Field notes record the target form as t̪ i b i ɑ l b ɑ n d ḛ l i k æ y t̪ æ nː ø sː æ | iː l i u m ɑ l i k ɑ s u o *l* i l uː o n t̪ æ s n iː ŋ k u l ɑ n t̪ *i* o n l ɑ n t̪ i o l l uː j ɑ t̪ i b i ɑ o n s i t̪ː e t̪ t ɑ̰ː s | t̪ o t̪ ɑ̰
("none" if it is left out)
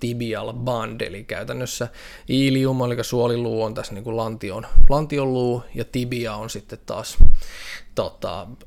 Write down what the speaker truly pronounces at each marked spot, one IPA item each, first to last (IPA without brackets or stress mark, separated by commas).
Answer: l, i